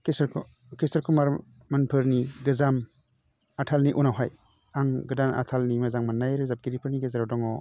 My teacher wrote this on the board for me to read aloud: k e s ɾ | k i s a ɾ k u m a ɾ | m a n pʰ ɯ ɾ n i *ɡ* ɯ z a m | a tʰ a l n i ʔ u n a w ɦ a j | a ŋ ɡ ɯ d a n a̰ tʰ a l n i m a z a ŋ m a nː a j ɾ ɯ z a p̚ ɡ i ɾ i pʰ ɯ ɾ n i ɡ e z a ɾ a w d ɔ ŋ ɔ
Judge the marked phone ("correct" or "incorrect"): correct